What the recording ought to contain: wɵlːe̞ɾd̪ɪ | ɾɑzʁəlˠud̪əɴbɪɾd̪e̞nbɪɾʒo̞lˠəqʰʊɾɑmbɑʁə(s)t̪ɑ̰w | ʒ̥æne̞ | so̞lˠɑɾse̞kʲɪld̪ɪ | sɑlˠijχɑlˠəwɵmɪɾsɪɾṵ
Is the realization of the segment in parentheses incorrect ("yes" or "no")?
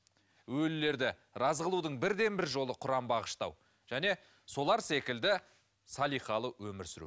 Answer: yes